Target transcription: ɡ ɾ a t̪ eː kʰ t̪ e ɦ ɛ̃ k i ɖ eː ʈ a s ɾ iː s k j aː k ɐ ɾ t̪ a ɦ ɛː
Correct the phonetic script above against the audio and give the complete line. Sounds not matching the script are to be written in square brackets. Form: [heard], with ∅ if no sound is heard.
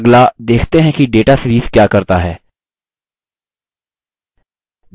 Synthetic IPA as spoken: ɡ [l] a [d̪] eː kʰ t̪ e ɦ ɛ̃ k i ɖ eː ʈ a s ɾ iː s k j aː k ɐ ɾ t̪ a ɦ ɛː

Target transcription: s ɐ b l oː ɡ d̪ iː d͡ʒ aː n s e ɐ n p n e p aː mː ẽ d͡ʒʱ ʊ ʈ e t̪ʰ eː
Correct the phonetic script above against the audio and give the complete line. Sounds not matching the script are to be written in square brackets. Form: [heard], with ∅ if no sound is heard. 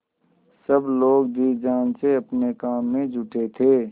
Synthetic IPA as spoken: s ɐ b l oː ɡ d̪ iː d͡ʒ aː n s e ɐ [∅] p n e [k] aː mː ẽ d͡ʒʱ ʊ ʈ e t̪ʰ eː

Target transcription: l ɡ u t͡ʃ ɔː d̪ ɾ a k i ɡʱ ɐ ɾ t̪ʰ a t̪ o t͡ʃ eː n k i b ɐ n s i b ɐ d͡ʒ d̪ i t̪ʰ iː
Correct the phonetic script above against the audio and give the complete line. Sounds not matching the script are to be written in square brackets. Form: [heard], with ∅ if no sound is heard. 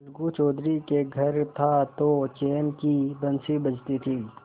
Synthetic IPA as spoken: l ɡ u t͡ʃ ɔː d̪ ɾ [i] k [e] ɡʱ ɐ ɾ t̪ʰ a t̪ o t͡ʃ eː n k i b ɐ n s i b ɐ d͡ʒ [t̪] i t̪ʰ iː

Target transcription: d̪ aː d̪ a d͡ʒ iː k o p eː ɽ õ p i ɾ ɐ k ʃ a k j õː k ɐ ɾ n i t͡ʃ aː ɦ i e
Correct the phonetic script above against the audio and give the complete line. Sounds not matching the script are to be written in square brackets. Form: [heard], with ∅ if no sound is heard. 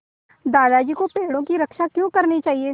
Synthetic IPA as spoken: d̪ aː d̪ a d͡ʒ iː k o p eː ɽ õ [k] i ɾ ɐ k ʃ a k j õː k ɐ ɾ n i t͡ʃ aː ɦ i e

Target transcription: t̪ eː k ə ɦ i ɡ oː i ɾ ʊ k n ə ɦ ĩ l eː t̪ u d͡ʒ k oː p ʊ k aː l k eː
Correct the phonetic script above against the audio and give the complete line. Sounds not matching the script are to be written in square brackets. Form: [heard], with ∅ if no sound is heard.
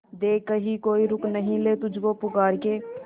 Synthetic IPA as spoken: [d̪] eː k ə ɦ i [k] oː i ɾ ʊ k n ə ɦ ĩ l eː t̪ [ʊ] d͡ʒ k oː p ʊ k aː [ɾ] k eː

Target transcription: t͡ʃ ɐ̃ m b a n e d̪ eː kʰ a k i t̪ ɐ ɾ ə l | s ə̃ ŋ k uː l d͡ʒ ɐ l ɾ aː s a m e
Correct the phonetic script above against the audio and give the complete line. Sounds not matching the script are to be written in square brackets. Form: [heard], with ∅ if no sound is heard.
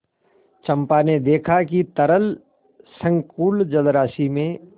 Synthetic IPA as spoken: t͡ʃ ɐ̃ m [p] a n e d̪ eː kʰ a k i t̪ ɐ ɾ ə l | s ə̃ ŋ k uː l d͡ʒ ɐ l ɾ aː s [i] m [ẽ]

